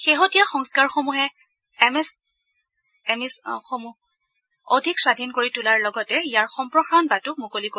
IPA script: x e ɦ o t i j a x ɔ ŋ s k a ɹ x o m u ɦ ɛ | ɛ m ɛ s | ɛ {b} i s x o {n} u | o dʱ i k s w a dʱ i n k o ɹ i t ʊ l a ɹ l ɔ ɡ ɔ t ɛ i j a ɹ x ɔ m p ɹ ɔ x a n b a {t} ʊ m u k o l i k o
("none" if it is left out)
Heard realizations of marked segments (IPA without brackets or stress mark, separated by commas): m, m, t